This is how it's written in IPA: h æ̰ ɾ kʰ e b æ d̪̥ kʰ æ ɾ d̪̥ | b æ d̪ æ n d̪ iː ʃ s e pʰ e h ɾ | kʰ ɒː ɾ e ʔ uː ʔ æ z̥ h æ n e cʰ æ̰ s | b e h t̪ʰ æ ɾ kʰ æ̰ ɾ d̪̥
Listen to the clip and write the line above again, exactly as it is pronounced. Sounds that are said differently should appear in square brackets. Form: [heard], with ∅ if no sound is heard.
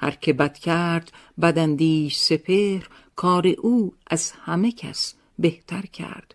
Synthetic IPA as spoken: h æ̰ ɾ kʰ e b æ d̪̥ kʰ æ ɾ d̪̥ | b æ d̪ æ n d̪ iː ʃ s e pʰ e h ɾ | kʰ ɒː ɾ e ʔ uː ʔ æ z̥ h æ [m] e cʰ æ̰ s | b e h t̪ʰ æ ɾ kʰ æ̰ ɾ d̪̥